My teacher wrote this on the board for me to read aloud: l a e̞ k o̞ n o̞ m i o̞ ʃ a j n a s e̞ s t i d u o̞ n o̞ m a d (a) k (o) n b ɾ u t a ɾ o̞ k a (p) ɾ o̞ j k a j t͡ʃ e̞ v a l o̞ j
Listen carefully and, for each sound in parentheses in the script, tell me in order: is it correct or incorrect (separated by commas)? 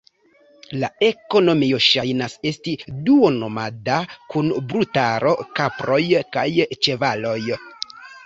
correct, incorrect, correct